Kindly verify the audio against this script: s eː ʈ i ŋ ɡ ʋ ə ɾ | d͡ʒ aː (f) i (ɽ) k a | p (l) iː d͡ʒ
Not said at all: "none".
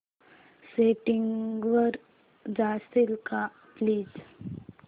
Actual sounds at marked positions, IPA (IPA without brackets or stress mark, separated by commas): s, l, l